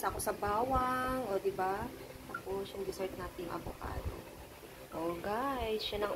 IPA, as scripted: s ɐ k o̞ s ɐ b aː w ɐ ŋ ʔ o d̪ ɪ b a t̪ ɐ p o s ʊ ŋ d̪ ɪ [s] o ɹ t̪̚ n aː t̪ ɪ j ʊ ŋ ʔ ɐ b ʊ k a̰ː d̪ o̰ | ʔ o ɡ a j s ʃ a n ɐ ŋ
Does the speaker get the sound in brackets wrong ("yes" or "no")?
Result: no